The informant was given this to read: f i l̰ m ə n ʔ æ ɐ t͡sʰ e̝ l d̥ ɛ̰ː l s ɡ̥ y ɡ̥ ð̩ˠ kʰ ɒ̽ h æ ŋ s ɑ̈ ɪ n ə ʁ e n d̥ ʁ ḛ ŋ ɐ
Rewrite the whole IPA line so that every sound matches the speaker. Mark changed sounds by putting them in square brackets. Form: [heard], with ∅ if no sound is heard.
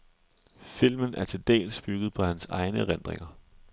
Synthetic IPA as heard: f i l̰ m ə n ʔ æ ɐ t͡sʰ e̝ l d̥ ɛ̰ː l s [b̥] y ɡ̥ ð̩ˠ [pʰ] ɒ̽ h æ [n] s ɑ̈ ɪ n ə ʁ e n d̥ ʁ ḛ ŋ ɐ